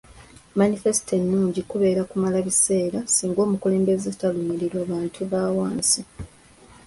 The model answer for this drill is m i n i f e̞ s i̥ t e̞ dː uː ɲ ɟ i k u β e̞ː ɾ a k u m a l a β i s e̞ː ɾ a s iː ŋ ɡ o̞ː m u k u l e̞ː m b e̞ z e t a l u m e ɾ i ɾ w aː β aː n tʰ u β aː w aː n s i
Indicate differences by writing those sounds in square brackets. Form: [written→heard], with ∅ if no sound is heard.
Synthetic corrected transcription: m [i→a] n i f e̞ s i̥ t e̞ [dː→nː] uː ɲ ɟ i k u β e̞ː ɾ a k u m a l a β i s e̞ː ɾ a s iː ŋ ɡ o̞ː m u k u l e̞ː m b e̞ z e t a l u m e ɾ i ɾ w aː β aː n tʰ u β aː w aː n s i

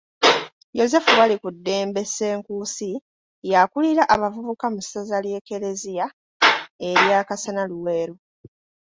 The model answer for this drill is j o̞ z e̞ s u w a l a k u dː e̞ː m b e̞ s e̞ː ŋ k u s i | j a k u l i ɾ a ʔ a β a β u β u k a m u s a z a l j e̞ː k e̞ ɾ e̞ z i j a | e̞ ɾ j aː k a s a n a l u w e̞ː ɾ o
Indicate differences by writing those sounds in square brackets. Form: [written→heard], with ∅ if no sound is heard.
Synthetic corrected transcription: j o̞ z e̞ [s→f] u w a l [a→i] k u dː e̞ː m b e̞ s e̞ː ŋ k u s i | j a k u l i ɾ a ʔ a β a [β→v] u β u k a m u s a z a l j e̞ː k e̞ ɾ e̞ z i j a | e̞ ɾ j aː k a s a n a l u w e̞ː ɾ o

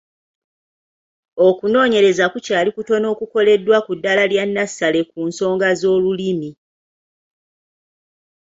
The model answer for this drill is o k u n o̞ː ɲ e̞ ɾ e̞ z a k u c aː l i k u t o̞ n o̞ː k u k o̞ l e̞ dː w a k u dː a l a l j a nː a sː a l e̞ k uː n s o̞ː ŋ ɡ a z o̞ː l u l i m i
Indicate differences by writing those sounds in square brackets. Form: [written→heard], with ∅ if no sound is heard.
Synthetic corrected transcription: o k u n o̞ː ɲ e̞ ɾ e̞ z a k u c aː l i k u t o̞ n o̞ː k u k o̞ l e̞ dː w a k u dː a l a l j a nː a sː a l e̞ k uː n s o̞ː ŋ ɡ a z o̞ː l u l i m i

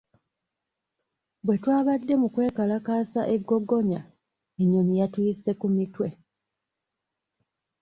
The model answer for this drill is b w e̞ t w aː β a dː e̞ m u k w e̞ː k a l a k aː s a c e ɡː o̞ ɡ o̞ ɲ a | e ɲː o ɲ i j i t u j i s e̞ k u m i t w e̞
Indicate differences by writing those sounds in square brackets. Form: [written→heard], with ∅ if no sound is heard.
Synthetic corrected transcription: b w e̞ t w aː β a dː e̞ m u k w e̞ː k a l a k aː s a [c→ʔ] e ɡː o̞ ɡ o̞ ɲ a | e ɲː o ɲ i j [i→a] t u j i s e̞ k u m i t w e̞

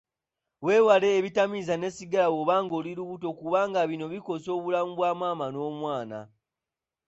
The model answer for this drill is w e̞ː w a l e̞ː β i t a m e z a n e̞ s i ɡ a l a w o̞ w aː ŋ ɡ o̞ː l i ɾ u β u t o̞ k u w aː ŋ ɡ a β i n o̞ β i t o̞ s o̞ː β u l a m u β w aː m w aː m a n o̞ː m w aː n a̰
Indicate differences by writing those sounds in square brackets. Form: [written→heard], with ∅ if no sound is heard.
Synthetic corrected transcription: w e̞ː w a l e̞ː β i t a m [e→i] z a n e̞ s i ɡ a l a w o̞ [w→β] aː ŋ ɡ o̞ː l i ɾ u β u t o̞ k u [w→β] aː ŋ ɡ a β i n o̞ β i [t→k] o̞ s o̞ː β u l a m u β w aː m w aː m a n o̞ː m w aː n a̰

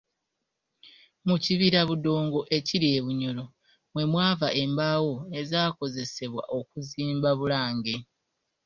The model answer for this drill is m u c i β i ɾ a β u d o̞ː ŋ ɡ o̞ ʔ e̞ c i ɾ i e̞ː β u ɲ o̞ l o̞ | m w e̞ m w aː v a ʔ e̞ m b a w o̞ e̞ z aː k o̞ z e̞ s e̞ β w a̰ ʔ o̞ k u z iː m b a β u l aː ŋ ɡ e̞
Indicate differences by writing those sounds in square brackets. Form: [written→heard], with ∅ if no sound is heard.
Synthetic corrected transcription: m u c i β i ɾ a β u d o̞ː ŋ ɡ o̞ ʔ e̞ c i ɾ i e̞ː β u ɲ o̞ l o̞ | m w e̞ m w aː v a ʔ e̞ m b a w o̞ e̞ z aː k o̞ z e̞ s e̞ β w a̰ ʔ o̞ k u z iː m b a β u l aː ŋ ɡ e̞

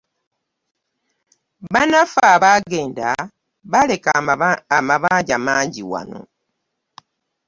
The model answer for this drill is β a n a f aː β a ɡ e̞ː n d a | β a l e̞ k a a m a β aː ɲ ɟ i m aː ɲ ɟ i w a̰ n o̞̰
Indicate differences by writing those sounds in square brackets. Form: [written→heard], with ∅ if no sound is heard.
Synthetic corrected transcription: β a n a f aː β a ɡ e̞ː n d a | β a l e̞ k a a m a β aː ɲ ɟ [i→a] m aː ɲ ɟ i w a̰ n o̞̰

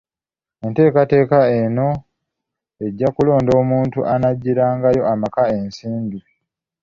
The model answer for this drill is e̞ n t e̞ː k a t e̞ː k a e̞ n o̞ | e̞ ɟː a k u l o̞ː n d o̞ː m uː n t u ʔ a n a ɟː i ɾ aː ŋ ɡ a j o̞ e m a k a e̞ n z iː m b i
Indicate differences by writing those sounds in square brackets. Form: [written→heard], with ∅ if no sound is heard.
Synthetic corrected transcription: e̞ n t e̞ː k a t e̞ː k a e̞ n o̞ | e̞ ɟː a k u l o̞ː n d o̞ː m uː n t u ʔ a n a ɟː i ɾ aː ŋ ɡ a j o̞ [e→a] m a k a e̞ n [z→s] iː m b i

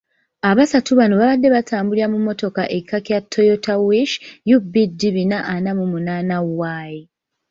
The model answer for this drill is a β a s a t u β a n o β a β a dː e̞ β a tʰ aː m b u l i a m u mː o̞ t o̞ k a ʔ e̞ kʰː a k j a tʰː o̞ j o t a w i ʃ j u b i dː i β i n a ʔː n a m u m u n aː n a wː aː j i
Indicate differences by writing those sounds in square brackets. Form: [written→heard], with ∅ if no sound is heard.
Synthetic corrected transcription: a β a s a t u β a n o β a β a dː e̞ β a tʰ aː m b u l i a m u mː o̞ t o̞ k a ʔ e̞ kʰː a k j a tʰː o̞ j o t a w i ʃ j u b i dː i β i n a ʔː n a m u m u n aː n a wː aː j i

